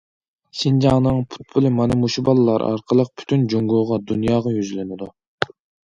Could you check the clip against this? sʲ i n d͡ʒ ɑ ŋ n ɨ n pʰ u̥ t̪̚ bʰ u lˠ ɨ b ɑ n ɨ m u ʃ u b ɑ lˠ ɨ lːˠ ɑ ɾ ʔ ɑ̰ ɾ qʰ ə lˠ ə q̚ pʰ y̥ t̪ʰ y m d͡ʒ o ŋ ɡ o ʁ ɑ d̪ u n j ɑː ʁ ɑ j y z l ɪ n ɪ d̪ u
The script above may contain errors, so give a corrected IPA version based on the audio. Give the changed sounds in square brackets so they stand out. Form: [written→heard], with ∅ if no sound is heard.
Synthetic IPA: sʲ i n d͡ʒ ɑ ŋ n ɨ [n→ŋ] pʰ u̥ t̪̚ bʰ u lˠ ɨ [b→m] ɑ n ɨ m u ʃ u b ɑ lˠ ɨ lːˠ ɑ ɾ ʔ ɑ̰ ɾ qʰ ə lˠ ə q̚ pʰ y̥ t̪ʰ y [m→n] d͡ʒ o ŋ ɡ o ʁ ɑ d̪ u n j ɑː ʁ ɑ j y z l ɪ n ɪ d̪ u